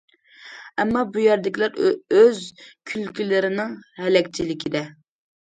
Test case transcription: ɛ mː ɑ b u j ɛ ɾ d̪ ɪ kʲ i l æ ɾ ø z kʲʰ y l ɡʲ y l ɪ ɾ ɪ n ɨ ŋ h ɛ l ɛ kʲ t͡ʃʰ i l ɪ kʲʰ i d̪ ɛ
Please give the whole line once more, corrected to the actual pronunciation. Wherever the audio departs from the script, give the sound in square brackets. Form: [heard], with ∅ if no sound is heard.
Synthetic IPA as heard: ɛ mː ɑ b u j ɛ ɾ d̪ ɪ kʲ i l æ ɾ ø z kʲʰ y l [kʲ] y l ɪ ɾ ɪ n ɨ ŋ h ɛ l ɛ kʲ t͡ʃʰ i l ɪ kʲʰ i d̪ ɛ